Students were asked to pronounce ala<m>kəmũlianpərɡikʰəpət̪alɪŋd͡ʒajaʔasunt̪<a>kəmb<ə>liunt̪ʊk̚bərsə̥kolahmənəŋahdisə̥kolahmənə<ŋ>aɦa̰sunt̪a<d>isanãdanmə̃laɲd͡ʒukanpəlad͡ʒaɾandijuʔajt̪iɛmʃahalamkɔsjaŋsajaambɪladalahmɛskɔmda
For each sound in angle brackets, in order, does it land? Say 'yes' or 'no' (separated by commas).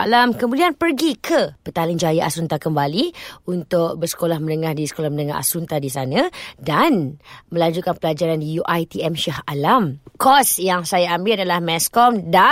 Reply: yes, yes, no, yes, yes